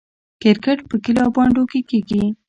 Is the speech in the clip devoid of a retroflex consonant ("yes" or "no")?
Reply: no